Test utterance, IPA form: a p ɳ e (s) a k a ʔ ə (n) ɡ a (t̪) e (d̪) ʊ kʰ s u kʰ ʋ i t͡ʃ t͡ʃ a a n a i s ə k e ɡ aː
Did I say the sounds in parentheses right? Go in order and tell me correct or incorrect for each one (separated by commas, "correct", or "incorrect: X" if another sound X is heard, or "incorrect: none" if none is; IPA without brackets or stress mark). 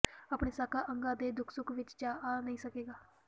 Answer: correct, incorrect: ŋ, incorrect: d̪, correct